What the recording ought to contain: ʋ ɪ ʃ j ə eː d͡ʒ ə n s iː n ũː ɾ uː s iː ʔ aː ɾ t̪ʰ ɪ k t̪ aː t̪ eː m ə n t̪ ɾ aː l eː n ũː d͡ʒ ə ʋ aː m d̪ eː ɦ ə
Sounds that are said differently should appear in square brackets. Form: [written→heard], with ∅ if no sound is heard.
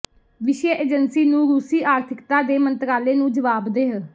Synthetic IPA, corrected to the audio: ʋ ɪ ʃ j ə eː d͡ʒ ə n s iː n ũː ɾ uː s iː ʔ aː ɾ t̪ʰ ɪ k t̪ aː [t̪→d̪] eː m ə n t̪ ɾ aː l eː n ũː d͡ʒ ə ʋ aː [m→b] d̪ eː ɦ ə